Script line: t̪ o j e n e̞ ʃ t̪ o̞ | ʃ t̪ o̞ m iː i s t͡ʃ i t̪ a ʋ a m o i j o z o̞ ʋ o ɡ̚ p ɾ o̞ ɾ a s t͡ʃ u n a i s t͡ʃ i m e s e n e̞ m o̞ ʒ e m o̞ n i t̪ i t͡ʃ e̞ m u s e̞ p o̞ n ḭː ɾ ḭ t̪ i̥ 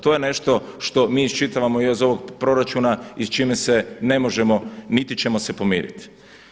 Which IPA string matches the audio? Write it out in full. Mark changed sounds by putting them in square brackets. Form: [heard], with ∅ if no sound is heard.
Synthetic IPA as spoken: t̪ o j e n e̞ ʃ t̪ o̞ | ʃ t̪ o̞ m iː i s t͡ʃ i t̪ a ʋ a m o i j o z o̞ ʋ o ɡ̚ p ɾ o̞ ɾ a [∅] t͡ʃ u n a i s t͡ʃ i m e s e n e̞ m o̞ ʒ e m o̞ n i t̪ i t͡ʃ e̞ m [o] s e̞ p o̞ [m] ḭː ɾ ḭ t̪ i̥